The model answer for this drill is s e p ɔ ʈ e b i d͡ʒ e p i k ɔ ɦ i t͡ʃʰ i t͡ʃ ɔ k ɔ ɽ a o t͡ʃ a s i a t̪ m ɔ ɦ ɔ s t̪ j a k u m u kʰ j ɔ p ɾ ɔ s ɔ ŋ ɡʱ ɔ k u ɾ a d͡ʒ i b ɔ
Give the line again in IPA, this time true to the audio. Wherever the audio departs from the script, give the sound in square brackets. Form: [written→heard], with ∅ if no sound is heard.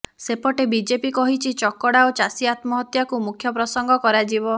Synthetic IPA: s e p ɔ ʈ e b i d͡ʒ e p i k ɔ ɦ i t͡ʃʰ i t͡ʃ ɔ k ɔ ɽ a o t͡ʃ a s i a t̪ m ɔ ɦ ɔ [s→∅] t̪ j a k u m u kʰ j ɔ p ɾ ɔ s ɔ ŋ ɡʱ ɔ k [u→ɔ] ɾ a d͡ʒ i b ɔ